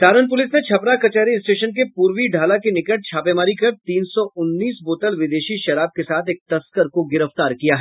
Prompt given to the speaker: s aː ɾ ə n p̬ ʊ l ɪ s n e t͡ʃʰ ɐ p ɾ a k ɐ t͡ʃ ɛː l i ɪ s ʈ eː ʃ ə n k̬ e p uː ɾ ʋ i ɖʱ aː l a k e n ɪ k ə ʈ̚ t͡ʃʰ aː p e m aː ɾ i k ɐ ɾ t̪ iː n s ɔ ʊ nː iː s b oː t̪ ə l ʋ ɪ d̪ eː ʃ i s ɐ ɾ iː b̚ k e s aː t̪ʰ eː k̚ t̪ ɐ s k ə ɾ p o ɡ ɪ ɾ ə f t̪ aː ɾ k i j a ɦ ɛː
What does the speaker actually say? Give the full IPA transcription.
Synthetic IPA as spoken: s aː ɾ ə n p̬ ʊ l ɪ s n e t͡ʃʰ ɐ p ɾ a k ɐ t͡ʃ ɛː ɾ i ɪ s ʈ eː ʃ ə n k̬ e p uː ɾ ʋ i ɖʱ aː l a k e n ɪ k ə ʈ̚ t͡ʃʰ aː p e m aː ɾ i k ɐ ɾ t̪ iː n s ɔ ʊ nː iː s b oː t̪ ə l ʋ ɪ d̪ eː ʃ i ʃ ɐ ɾ aː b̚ k e s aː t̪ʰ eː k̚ t̪ ɐ s k ə ɾ k o ɡ ɪ ɾ ə f t̪ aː ɾ k i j a ɦ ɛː

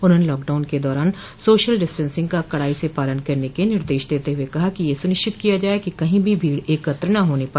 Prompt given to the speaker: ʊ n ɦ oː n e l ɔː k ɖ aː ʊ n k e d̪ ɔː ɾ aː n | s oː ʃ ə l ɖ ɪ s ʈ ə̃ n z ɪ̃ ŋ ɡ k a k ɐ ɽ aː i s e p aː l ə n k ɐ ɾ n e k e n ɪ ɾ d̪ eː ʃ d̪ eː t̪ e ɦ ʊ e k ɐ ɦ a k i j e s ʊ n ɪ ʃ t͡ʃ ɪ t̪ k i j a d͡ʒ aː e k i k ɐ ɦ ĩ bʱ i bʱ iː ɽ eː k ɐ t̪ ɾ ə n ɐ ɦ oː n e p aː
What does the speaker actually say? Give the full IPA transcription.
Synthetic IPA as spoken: ʊ n ɦ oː n e l ɔː k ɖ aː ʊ n k e d̪ ɔː ɾ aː n | s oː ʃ ə l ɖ ɪ s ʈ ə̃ n s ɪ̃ ŋ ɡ k a k ɐ ɽ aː i s e p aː l ə n k ɐ ɾ n e k e n ɪ ɾ d̪ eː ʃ d̪ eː t̪ e ɦ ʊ e k ɐ ɦ a k i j e s ʊ n ɪ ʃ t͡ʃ ɪ t̪ k i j a d͡ʒ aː e k i k ɐ ɦ ĩ bʱ i bʱ iː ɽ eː k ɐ t̪ ɾ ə n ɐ ɦ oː n e p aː

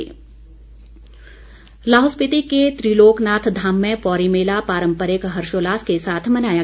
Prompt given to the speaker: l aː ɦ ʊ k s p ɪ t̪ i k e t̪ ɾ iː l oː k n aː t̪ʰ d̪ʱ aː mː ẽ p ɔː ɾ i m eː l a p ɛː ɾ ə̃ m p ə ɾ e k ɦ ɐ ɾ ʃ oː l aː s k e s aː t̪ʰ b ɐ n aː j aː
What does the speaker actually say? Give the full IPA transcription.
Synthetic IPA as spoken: l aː ɦ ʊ s p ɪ t̪ i k e t̪ ɾ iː l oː k n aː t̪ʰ d̪ʱ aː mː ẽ p ɔː ɾ i m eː l a p aː ɾ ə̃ m p ə ɾ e k ɦ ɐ ɾ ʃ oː l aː s k e s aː t̪ʰ m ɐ n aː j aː

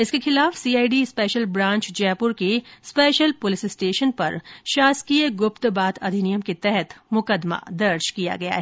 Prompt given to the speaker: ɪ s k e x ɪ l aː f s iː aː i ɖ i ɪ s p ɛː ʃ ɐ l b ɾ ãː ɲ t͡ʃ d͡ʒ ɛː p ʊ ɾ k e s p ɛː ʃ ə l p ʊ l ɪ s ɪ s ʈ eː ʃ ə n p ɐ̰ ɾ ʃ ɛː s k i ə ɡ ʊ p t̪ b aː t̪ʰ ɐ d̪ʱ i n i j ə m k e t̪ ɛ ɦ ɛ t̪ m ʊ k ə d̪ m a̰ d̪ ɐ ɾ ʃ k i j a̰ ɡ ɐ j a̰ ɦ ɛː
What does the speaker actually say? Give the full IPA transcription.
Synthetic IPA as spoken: ɪ s k e x ɪ l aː f s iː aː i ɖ i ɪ s p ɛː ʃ ə l b ɾ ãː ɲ t͡ʃ d͡ʒ ɛː p ʊ ɾ k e s p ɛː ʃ ə l p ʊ l ɪ s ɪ s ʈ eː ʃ ə n p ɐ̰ ɾ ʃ aː s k i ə ɡ ʊ p t̪ b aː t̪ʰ ɐ d̪ʱ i n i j ə m k e t̪ ɛ ɦ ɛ t̪ m ʊ k ə d̪ m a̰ d̪ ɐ ɾ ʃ k i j a̰ ɡ ɐ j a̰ ɦ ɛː

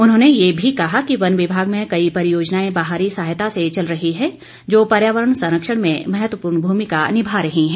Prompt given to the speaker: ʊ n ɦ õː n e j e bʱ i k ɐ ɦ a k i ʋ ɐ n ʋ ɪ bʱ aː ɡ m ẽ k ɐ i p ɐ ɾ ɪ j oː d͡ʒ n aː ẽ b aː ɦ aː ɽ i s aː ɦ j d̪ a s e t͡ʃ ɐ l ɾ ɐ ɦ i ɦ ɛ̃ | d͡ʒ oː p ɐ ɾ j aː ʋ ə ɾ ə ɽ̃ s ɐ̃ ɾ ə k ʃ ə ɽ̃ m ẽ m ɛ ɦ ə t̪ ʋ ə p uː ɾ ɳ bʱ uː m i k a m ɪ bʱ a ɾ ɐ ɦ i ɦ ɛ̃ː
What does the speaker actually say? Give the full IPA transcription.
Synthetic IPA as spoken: ʊ n ɦ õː n e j e bʱ i k ɐ ɦ a k i ʋ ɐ n ʋ ɪ bʱ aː ɡ m ẽ k ɐ i p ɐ ɾ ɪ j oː d͡ʒ n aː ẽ b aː ɦ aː ɾ i s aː ɦ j t̪ a s e t͡ʃ ɐ l ɾ ɐ ɦ i ɦ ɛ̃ | d͡ʒ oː p ɐ ɾ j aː ʋ ə ɾ ə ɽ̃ s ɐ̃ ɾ ə k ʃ ə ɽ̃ m ẽ m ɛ ɦ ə t̪ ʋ ə p uː ɾ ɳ bʱ uː m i k a n ɪ bʱ a ɾ ɐ ɦ i ɦ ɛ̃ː

